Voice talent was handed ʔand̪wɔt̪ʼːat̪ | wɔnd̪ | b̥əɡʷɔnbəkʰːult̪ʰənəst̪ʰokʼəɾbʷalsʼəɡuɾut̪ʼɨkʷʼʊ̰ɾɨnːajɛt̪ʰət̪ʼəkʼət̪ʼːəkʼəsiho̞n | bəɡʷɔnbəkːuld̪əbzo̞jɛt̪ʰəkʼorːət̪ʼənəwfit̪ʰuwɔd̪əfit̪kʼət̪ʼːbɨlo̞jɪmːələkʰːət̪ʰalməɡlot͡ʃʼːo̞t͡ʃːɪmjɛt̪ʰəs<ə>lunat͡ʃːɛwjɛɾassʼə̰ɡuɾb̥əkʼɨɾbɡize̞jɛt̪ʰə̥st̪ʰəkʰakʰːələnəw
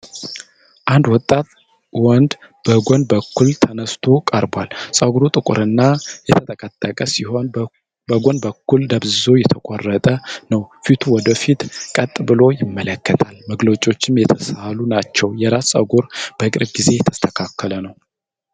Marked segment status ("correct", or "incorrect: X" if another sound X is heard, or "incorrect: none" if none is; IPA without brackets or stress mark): incorrect: a